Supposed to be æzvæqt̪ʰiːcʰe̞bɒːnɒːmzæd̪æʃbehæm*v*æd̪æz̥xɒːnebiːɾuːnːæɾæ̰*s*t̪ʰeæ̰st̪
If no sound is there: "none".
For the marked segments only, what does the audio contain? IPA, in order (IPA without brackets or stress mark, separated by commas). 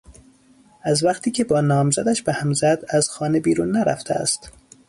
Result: z, f